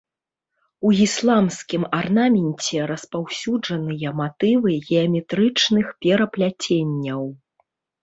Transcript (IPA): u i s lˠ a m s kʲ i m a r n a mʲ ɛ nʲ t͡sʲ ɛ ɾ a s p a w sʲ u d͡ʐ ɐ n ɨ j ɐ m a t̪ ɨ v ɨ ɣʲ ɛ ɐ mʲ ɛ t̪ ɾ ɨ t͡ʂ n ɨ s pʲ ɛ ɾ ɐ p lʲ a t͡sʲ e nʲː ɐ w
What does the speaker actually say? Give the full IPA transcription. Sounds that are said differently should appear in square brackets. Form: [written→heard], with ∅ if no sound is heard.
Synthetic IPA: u i s lˠ a m s kʲ i m a r n a mʲ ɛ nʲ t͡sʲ ɛ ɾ [a→ɐ] s p a w sʲ u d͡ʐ ɐ n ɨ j ɐ m a t̪ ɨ v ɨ ɣʲ ɛ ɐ mʲ ɛ t̪ ɾ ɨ t͡ʂ n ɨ [s→x] pʲ ɛ ɾ ɐ p lʲ a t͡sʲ e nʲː ɐ w